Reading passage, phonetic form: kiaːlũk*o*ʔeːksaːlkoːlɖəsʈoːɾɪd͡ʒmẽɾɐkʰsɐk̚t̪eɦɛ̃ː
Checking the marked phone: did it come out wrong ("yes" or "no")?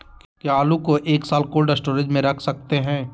no